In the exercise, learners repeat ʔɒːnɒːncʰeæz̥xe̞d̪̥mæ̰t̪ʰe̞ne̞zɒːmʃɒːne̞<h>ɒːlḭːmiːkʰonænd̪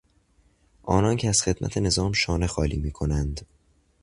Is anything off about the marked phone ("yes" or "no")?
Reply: yes